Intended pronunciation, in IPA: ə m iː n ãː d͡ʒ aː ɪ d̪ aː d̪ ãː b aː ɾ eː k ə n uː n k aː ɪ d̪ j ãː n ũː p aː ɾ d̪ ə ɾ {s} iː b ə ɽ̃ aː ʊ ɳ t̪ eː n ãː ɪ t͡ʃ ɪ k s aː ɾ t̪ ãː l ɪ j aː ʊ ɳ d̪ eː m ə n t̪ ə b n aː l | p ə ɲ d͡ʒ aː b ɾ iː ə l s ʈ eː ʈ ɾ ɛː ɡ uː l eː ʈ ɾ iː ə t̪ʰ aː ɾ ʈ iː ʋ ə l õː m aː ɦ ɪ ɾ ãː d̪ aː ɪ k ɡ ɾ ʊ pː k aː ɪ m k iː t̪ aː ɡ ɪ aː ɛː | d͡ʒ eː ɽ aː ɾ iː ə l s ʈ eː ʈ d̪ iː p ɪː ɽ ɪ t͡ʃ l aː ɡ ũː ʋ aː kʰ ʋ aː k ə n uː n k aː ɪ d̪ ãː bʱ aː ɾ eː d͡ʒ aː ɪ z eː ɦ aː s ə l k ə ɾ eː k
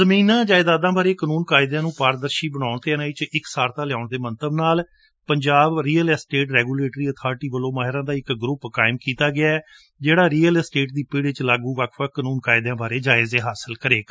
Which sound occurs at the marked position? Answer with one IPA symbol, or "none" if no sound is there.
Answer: ʃ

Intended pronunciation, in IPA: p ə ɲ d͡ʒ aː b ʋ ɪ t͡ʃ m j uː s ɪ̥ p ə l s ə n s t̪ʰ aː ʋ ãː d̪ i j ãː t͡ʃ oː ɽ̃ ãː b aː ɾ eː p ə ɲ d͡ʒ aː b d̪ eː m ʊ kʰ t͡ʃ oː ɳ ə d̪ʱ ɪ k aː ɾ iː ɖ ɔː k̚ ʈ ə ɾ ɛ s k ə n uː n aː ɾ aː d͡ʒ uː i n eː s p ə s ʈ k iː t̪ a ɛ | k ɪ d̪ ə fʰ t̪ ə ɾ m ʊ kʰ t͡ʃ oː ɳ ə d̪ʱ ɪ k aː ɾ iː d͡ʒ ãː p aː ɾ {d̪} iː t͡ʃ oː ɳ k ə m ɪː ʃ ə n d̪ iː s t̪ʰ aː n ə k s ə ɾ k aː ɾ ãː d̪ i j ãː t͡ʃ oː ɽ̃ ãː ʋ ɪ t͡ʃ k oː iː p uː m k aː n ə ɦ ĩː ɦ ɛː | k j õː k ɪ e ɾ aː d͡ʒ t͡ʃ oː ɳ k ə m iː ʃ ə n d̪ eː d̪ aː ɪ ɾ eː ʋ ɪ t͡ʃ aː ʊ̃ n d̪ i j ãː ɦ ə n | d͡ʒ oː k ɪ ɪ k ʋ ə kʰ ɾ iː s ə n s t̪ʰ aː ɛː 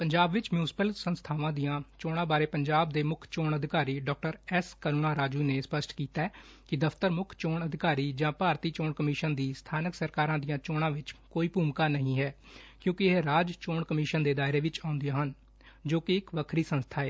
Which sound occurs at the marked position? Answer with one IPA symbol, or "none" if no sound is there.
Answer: t̪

